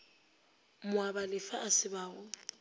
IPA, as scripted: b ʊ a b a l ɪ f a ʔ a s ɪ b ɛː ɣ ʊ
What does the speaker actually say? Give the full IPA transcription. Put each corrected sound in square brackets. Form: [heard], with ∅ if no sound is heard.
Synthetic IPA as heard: [m] ʊ a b a l ɪ f a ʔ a s ɪ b [aː] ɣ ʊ